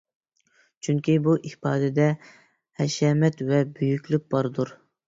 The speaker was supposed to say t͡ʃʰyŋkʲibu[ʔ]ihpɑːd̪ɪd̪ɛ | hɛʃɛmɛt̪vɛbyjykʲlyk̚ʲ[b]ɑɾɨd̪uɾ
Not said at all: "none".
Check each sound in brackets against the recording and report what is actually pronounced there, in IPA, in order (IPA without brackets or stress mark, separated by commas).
ʔ, b